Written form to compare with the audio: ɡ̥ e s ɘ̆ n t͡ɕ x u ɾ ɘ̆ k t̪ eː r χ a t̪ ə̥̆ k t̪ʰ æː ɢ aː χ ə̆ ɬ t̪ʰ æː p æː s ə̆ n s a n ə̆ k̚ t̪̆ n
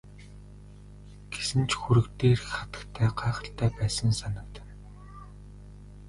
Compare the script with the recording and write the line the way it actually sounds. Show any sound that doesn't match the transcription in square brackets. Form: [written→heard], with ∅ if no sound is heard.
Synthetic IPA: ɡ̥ e s ɘ̆ n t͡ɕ x u ɾ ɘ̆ k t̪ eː r χ a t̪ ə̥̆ k t̪ʰ æː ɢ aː χ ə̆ ɬ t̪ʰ æː p æː s ə̆ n s a n ə̆ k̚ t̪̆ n